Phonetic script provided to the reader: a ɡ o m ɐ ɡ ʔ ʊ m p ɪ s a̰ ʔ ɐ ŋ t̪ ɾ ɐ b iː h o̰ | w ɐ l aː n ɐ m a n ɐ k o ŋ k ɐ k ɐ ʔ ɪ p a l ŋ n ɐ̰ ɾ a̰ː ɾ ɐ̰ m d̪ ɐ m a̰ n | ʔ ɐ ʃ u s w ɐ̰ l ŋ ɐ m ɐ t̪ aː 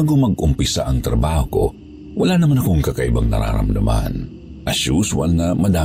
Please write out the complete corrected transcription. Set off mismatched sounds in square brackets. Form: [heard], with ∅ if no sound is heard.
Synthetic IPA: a ɡ o m ɐ ɡ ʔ ʊ m p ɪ s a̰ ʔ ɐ ŋ t̪ ɾ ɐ b [aː] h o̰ | w ɐ l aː n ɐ m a n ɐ k o ŋ k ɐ k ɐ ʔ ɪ [b] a [∅] ŋ n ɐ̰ ɾ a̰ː ɾ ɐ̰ m d̪ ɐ m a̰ n | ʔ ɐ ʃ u s w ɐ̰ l ŋ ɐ m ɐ [d̪] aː